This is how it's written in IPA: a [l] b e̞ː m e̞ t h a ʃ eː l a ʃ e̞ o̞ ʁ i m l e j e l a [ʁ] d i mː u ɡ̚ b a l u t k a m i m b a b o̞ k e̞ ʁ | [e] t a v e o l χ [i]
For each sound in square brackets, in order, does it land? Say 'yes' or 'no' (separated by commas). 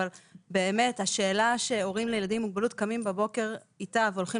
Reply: yes, no, no, yes